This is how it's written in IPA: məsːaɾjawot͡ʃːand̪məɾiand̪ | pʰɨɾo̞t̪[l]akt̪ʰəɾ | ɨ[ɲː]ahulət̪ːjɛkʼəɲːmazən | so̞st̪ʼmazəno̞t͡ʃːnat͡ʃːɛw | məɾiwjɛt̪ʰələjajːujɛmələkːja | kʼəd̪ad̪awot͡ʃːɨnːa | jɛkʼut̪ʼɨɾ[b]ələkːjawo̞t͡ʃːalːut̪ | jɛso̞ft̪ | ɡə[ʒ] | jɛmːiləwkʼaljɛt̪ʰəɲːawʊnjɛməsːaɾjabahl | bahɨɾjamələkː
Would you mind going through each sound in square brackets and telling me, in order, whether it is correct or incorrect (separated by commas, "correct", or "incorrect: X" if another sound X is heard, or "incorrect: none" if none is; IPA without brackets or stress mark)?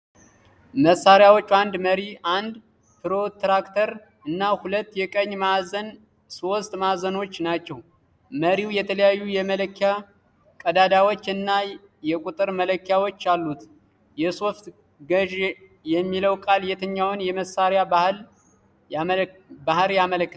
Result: incorrect: ɾ, incorrect: nː, incorrect: m, correct